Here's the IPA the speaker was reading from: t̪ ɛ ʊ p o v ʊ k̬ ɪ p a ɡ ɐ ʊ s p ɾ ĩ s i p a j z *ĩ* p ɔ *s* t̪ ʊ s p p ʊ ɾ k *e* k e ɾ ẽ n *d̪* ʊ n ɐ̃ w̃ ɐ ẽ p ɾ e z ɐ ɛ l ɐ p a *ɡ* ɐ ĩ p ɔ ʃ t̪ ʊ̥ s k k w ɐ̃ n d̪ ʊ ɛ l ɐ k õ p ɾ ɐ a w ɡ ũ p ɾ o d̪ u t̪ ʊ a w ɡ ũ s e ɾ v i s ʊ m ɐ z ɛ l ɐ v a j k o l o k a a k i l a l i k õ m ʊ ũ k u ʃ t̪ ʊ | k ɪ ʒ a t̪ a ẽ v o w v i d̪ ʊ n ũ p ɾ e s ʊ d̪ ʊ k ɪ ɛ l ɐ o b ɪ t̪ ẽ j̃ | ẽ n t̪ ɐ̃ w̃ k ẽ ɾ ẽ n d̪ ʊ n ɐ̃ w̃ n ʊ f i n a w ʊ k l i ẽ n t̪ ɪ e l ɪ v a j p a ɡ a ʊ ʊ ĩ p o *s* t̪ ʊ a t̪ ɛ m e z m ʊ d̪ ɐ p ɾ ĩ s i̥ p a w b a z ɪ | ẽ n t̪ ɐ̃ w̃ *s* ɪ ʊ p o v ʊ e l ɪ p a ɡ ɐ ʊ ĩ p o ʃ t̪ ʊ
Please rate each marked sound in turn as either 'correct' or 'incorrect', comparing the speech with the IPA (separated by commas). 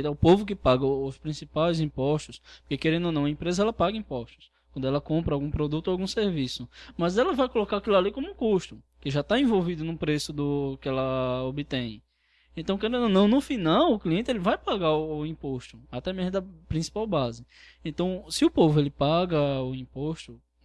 correct, incorrect, correct, correct, correct, incorrect, correct